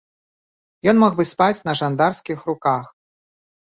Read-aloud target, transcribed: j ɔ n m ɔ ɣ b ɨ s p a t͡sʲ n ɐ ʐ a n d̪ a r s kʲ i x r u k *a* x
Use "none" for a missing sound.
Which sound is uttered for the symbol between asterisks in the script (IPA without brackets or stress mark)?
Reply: a